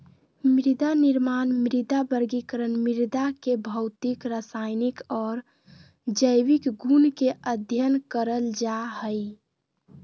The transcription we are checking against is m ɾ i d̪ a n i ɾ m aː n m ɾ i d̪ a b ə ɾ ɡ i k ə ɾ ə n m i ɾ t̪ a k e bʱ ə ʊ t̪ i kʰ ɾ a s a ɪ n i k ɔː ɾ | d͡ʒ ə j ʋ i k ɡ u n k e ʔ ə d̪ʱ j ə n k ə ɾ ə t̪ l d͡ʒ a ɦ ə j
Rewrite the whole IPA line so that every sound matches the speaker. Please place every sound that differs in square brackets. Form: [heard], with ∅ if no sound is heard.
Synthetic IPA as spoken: m ɾ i d̪ a n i ɾ m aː n m ɾ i d̪ a b ə ɾ ɡ i k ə ɾ ə n m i ɾ [d̪] a k e bʱ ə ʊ t̪ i [k] ɾ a s a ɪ n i k ɔː ɾ | d͡ʒ ə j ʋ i k ɡ u n k e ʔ ə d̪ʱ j ə n k ə ɾ ə [∅] l d͡ʒ a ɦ ə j

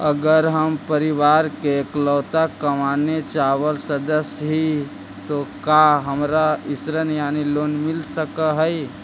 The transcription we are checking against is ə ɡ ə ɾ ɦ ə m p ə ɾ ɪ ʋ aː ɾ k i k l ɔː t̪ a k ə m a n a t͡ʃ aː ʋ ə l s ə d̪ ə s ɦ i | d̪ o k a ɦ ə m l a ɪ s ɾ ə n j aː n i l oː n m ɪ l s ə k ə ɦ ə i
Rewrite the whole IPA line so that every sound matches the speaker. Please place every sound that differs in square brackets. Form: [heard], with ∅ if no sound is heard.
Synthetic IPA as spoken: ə ɡ ə ɾ ɦ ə m p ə ɾ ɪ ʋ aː ɾ k [e] k l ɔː t̪ a k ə m a n [e] t͡ʃ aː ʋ ə l s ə d̪ ə s ɦ i | [t̪] o k a ɦ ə m [ɾ] a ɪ s ɾ ə n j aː n i l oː n m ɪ l s ə k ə ɦ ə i

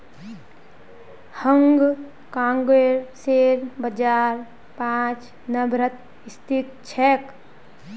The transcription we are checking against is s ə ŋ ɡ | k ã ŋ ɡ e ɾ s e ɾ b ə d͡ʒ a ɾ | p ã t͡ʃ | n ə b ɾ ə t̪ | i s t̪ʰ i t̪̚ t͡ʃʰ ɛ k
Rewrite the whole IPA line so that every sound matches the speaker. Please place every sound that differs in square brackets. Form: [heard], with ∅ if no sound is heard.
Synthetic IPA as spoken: [h] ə ŋ ɡ | k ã ŋ ɡ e ɾ s e ɾ b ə d͡ʒ a ɾ | p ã t͡ʃ | n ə b ɾ ə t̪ | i s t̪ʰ i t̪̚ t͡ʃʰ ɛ k

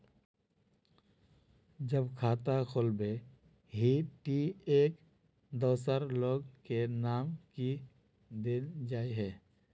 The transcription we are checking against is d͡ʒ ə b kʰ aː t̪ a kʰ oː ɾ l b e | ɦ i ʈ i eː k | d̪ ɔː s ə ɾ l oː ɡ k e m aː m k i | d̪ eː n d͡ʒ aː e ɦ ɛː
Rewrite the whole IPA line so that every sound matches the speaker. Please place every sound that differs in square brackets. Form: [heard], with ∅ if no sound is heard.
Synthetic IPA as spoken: d͡ʒ ə b kʰ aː t̪ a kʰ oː [∅] l b e | ɦ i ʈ i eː k | d̪ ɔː s ə ɾ l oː ɡ k e [n] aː m k i | d̪ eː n d͡ʒ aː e ɦ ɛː

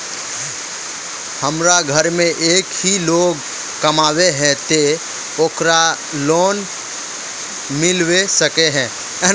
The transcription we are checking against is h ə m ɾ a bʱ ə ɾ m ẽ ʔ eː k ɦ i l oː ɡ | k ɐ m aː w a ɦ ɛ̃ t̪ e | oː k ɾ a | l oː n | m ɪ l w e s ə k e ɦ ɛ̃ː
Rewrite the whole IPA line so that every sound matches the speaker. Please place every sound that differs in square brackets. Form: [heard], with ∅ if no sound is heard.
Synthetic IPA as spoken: h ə m ɾ a [ɡʱ] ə ɾ m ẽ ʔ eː k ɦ i l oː ɡ | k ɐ m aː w [e] ɦ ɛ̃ t̪ e | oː k ɾ a | l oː n | m ɪ l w e s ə k e ɦ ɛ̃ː

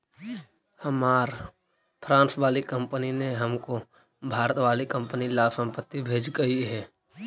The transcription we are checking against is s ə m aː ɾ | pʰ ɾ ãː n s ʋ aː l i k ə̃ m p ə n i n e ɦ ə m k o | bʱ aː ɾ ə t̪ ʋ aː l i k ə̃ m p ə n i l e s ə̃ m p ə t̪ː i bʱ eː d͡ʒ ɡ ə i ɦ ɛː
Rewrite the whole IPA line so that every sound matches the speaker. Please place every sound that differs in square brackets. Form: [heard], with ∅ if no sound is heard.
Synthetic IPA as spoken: [h] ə m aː ɾ | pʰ ɾ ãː n s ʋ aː l i k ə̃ m p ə n i n e ɦ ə m k o | bʱ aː ɾ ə t̪ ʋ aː l i k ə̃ m p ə n i l [a] s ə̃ m p ə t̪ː i bʱ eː d͡ʒ ɡ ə i ɦ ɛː

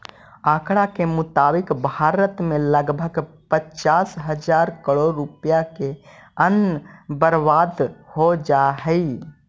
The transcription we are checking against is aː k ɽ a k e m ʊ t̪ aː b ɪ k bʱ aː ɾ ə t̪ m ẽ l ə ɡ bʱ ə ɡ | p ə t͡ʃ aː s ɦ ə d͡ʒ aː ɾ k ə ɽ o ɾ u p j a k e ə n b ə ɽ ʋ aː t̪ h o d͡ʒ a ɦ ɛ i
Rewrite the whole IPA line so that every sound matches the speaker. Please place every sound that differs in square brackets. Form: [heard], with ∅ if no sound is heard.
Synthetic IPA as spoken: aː k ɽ a k e m ʊ t̪ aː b ɪ k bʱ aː ɾ ə t̪ m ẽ l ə ɡ bʱ ə ɡ | p ə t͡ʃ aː s ɦ ə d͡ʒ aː ɾ k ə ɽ o ɾ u p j a k e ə n b ə [ɾ] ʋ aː [d̪] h o d͡ʒ a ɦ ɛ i

